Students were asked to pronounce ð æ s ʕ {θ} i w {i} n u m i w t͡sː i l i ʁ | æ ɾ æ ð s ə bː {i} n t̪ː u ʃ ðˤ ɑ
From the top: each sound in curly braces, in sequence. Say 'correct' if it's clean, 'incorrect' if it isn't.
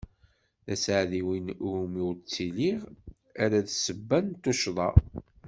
incorrect, correct, incorrect

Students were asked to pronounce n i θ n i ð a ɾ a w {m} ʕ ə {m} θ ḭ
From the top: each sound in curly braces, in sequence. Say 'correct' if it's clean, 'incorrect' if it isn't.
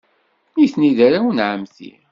incorrect, correct

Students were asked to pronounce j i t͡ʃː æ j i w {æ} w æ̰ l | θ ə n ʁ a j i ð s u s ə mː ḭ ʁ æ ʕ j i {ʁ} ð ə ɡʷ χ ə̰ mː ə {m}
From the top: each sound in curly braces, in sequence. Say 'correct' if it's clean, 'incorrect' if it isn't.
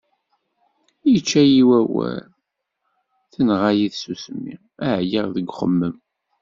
correct, correct, correct

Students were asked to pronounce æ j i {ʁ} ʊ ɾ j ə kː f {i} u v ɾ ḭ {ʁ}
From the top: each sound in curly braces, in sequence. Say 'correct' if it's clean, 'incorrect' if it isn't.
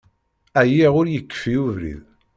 correct, correct, incorrect

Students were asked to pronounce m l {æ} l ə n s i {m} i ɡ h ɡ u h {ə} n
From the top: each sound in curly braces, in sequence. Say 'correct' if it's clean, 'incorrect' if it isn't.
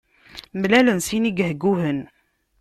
correct, incorrect, correct

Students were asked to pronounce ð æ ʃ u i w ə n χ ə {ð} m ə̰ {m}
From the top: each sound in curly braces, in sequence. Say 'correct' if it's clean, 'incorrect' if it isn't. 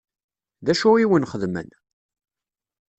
correct, incorrect

